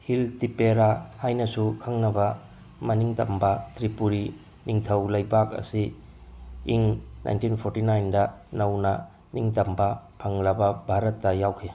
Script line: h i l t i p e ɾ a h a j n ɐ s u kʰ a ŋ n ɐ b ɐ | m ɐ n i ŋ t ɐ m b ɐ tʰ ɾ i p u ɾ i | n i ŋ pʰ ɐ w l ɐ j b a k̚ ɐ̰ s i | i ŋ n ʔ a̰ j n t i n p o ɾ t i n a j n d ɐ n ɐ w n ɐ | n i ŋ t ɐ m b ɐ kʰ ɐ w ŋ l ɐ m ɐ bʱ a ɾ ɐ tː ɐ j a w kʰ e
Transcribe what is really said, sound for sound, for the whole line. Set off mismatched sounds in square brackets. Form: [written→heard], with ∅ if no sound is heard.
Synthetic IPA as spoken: h i l t i p e ɾ a h a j n ɐ s u kʰ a ŋ n ɐ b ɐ | m ɐ n i ŋ t ɐ m b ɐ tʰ ɾ i p u ɾ i | n i ŋ [pʰ→tʰ] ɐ w l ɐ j b a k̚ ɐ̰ s i | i ŋ n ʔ a̰ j n t i n [p→pʰ] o ɾ t i n a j n d ɐ n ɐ w n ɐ | n i ŋ t ɐ m b ɐ [kʰ→pʰ] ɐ [w→∅] ŋ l ɐ [m→b] ɐ bʱ a ɾ ɐ tː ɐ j a w kʰ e